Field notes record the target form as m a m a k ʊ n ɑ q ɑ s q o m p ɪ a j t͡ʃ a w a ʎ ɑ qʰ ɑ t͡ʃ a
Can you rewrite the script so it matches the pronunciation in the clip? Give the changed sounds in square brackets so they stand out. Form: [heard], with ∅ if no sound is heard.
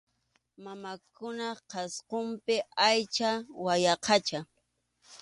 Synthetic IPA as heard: m a m a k ʊ n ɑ q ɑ s q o m p ɪ a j t͡ʃ a w a [j] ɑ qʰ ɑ t͡ʃ a

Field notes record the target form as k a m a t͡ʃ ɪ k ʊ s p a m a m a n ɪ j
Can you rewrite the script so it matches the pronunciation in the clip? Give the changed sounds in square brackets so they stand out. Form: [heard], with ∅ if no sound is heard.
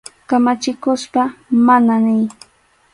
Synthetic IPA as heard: k a m a t͡ʃ ɪ k ʊ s p a m a [n] a n ɪ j

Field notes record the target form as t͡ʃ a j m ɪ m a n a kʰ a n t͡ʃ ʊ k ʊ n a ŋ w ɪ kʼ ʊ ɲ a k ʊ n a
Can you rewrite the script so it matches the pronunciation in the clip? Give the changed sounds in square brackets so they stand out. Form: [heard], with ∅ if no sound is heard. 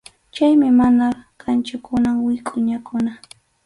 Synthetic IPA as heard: t͡ʃ a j m ɪ m a n a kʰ a n t͡ʃ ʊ k ʊ n a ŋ w ɪ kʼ ʊ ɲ a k ʊ n a

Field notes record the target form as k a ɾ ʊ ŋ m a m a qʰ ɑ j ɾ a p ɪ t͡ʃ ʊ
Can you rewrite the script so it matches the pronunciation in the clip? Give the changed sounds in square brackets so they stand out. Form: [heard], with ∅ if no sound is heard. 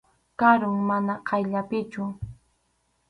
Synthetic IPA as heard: k a ɾ ʊ ŋ m a [n] a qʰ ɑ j [ʎ] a p ɪ t͡ʃ ʊ

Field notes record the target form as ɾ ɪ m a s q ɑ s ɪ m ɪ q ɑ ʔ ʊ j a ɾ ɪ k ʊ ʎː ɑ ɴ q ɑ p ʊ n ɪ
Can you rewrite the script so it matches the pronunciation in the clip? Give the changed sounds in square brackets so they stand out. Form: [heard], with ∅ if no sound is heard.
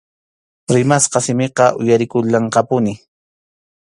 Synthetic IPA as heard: ɾ ɪ m a s q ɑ s ɪ m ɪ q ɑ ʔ ʊ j a ɾ ɪ k ʊ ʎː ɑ ɴ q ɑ p ʊ n ɪ

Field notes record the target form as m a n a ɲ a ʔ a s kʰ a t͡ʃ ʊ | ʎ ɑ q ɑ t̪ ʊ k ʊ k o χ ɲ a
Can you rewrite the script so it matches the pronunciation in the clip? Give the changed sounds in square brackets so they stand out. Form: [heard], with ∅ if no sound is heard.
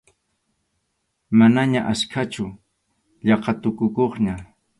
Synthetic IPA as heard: m a n a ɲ a ʔ a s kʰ a t͡ʃ ʊ | ʎ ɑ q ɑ t̪ ʊ k ʊ k o χ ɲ a

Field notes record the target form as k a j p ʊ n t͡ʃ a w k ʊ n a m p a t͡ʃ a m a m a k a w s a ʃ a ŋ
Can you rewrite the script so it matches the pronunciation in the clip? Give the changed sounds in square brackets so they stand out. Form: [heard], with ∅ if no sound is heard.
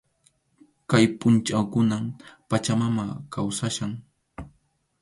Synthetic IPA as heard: k a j p ʊ n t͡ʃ a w k ʊ n a m p a t͡ʃ a m a m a k a w s a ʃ a ŋ

